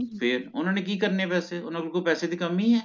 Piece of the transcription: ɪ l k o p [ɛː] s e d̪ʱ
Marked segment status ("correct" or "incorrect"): correct